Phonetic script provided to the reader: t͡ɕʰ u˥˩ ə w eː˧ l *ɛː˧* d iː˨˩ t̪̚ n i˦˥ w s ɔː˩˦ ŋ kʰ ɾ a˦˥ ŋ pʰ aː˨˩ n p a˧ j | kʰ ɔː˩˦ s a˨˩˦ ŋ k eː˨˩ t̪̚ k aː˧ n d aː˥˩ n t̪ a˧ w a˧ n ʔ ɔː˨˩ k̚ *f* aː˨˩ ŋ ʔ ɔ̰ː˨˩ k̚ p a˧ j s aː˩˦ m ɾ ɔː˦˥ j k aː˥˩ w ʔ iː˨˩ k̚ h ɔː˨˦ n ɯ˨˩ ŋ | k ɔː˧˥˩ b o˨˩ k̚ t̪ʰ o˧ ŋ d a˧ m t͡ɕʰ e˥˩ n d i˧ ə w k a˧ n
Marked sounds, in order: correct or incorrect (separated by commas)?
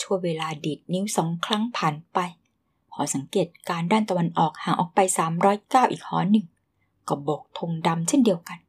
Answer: incorrect, incorrect